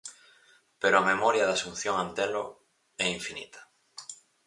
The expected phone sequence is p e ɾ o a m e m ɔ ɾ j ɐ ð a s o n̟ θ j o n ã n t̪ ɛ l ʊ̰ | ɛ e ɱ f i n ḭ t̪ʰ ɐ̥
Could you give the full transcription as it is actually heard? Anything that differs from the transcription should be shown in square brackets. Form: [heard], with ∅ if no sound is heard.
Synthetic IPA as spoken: p e ɾ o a m e m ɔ ɾ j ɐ ð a s [u] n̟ θ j o [ŋ] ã n t̪ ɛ l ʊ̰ | ɛ [i] ɱ f i n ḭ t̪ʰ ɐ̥